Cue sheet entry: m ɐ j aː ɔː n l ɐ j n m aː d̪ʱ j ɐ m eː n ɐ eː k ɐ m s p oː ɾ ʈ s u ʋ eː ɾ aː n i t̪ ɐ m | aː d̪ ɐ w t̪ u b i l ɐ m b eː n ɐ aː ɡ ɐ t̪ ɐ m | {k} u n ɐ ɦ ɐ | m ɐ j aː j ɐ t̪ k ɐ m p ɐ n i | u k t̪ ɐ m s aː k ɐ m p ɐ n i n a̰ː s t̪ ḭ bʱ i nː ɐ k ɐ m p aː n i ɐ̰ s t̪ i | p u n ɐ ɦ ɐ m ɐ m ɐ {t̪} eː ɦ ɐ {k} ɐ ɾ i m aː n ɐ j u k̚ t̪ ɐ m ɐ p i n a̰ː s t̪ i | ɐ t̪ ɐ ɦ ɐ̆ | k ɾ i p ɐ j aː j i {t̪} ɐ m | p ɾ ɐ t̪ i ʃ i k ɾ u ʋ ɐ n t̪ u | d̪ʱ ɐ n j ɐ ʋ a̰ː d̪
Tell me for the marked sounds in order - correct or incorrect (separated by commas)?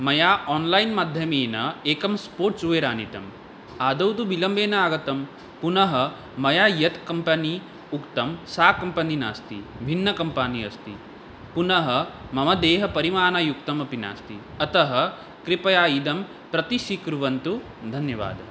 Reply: incorrect, incorrect, incorrect, incorrect